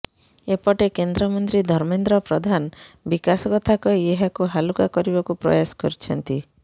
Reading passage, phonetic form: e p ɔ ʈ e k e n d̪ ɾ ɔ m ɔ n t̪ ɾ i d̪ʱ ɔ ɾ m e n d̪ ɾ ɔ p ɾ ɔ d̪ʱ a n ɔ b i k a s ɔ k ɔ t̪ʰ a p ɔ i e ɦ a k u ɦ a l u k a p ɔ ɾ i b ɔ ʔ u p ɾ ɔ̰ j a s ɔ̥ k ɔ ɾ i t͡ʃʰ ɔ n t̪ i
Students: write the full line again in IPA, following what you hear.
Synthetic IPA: e p ɔ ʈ e k e n d̪ ɾ ɔ m ɔ n t̪ ɾ i d̪ʱ ɔ ɾ m e n d̪ ɾ ɔ p ɾ ɔ d̪ʱ a n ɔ b i k a s ɔ k ɔ t̪ʰ a k ɔ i e ɦ a k u ɦ a l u k a k ɔ ɾ i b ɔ k u p ɾ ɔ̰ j a s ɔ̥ k ɔ ɾ i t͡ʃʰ ɔ n t̪ i

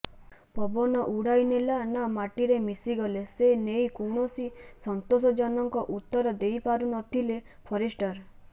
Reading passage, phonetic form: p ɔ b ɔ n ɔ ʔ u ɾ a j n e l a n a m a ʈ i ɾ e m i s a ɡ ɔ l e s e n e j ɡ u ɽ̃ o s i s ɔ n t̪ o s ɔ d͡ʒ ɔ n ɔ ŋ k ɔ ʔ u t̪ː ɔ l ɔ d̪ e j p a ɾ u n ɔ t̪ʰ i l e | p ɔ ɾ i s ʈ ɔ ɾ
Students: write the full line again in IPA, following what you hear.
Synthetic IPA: p ɔ b ɔ n ɔ ʔ u ɽ a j n e l a n a m a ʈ i ɾ e m i s i ɡ ɔ l e s e n e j k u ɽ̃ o s i s ɔ n t̪ o s ɔ d͡ʒ ɔ n ɔ ŋ k ɔ ʔ u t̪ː ɔ ɾ ɔ d̪ e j p a ɾ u n ɔ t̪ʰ i l e | pʰ ɔ ɾ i s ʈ ɔ ɾ

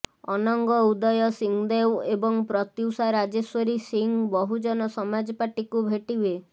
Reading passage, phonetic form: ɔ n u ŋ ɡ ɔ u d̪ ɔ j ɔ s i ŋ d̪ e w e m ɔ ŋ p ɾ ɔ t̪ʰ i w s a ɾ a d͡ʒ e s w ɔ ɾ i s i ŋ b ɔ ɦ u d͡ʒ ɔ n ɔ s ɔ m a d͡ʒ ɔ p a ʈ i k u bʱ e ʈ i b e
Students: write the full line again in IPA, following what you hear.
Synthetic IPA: ɔ n ɔ ŋ ɡ ɔ u d̪ ɔ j ɔ s i ŋ d̪ e w e b ɔ ŋ p ɾ ɔ t̪ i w s a ɾ a d͡ʒ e s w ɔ ɾ i s i ŋ b ɔ ɦ u d͡ʒ ɔ n ɔ s ɔ m a d͡ʒ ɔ p a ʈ i k u bʱ e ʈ i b e

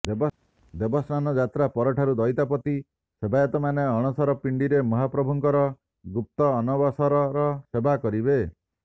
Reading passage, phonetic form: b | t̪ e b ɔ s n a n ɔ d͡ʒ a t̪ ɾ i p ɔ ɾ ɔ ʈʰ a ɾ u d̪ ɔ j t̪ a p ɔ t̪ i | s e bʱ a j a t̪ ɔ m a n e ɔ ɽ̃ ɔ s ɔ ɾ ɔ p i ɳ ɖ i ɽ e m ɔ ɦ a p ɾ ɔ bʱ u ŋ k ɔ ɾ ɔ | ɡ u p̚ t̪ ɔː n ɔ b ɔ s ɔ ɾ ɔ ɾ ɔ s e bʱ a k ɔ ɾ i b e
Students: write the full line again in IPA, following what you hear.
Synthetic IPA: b | d̪ e b ɔ s n a n ɔ d͡ʒ a t̪ ɾ a p ɔ ɾ ɔ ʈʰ a ɾ u d̪ ɔ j t̪ a p ɔ t̪ i | s e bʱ a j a t̪ ɔ m a n e ɔ ɽ̃ ɔ s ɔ ɾ ɔ p i ɳ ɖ i ɾ e m ɔ ɦ a p ɾ ɔ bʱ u ŋ k ɔ ɾ ɔ | ɡ u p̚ t̪ ɔː n ɔ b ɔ s ɔ ɾ ɔ ɾ ɔ s e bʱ a k ɔ ɾ i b e

